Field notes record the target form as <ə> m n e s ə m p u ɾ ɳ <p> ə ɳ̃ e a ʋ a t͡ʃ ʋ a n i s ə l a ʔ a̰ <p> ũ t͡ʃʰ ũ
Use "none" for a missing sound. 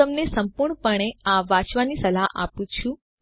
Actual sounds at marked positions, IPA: ə, p, p

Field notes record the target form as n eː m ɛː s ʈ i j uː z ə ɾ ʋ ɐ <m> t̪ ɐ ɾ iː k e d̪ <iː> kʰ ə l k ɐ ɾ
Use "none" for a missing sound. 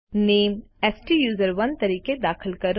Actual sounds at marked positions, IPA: n, aː

